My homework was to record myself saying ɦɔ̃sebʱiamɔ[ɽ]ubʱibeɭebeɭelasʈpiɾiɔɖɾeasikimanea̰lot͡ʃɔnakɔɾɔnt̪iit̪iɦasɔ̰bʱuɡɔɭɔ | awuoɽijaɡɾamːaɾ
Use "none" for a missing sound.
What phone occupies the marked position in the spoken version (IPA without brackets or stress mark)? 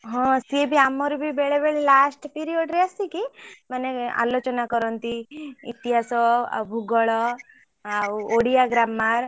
ɾ